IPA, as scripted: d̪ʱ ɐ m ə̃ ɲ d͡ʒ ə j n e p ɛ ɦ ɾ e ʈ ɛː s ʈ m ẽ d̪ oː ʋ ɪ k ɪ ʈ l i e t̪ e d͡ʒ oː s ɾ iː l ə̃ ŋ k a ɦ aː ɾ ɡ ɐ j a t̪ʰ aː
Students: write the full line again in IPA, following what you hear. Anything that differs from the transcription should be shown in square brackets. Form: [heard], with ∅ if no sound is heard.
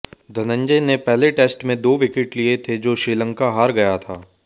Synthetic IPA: d̪ʱ ɐ [n] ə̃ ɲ d͡ʒ ə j n e p ɛ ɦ [l] e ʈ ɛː s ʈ m ẽ d̪ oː ʋ ɪ k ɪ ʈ l i e [t̪ʰ] e d͡ʒ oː [ʃ] ɾ iː l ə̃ ŋ k a ɦ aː ɾ ɡ ɐ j a t̪ʰ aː